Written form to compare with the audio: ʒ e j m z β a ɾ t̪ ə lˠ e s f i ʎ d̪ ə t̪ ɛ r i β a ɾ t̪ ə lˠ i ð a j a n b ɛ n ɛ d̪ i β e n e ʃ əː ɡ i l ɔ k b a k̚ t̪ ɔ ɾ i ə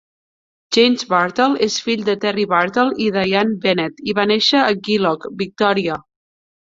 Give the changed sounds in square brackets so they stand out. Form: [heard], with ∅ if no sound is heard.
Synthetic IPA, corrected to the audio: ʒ e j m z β a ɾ t̪ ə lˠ e s f i ʎ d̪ ə t̪ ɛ r i β a ɾ t̪ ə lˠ i ð a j a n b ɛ n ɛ [t̪] i β [a] n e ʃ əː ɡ i l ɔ k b [i] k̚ t̪ ɔ ɾ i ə